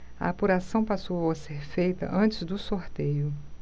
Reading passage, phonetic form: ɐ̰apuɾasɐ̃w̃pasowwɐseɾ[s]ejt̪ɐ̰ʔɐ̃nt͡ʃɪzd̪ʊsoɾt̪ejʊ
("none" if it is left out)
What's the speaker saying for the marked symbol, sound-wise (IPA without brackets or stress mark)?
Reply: f